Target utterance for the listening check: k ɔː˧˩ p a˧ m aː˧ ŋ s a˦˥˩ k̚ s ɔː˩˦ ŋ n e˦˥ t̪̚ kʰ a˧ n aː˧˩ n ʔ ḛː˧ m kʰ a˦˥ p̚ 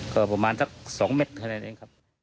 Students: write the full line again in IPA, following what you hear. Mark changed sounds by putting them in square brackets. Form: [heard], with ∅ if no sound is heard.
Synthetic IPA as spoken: k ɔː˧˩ p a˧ m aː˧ [n] s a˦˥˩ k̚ s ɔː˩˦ ŋ [m] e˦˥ t̪̚ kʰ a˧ n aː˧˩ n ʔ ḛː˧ [ŋ] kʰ a˦˥ p̚